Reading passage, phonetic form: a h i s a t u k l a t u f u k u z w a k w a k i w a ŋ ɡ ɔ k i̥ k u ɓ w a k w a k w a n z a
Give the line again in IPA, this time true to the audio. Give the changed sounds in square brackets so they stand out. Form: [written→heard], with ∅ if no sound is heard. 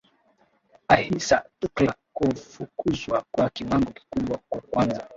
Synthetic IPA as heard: a h i s a t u k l a [t→k] u f u k u z w a k w a k i w a ŋ ɡ ɔ k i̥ k u ɓ w a k w a k w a n z a

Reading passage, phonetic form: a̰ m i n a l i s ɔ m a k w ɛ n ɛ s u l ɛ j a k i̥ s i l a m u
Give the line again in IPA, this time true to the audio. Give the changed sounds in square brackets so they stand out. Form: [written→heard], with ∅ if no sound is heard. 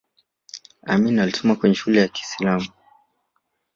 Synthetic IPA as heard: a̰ m i n a l i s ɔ m a k w ɛ [n→ɲ] ɛ [s→ʃ] u l ɛ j a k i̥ s i l a m u

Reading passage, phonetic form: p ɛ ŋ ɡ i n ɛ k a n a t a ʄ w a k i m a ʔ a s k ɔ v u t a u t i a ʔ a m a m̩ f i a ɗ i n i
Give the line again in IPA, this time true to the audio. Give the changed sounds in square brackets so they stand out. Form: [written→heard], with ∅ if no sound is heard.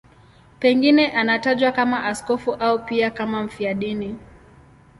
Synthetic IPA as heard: p ɛ ŋ ɡ i n ɛ [k→ʔ] a n a t a ʄ w a k [i→a] m a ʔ a s k ɔ [v→f] u [t→ʔ] a u [t→p] i a [ʔ→k] a m a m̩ f i a ɗ i n i

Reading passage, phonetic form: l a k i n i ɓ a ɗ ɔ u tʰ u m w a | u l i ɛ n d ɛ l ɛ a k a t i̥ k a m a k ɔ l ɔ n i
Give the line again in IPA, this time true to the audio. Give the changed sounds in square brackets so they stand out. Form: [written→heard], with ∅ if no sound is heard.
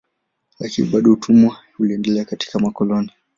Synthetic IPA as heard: l a k i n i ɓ a ɗ ɔ u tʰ u m w a | u l i ɛ n d ɛ l ɛ a k a t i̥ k a m a k ɔ l ɔ n i

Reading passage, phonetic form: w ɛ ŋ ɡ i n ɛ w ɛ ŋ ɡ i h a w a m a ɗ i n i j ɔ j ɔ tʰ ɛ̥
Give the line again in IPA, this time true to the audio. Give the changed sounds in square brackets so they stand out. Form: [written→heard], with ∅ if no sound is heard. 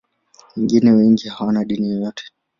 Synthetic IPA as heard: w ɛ ŋ ɡ i n ɛ w ɛ ŋ ɡ i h a w a [m→n] a ɗ i n i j ɔ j ɔ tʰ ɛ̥

